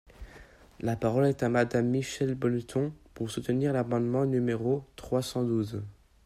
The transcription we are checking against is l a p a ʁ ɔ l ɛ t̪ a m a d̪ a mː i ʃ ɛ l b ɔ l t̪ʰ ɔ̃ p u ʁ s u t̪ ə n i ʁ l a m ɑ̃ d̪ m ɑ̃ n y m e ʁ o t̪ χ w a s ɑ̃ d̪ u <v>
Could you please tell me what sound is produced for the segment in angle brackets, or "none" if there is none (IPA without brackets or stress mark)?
z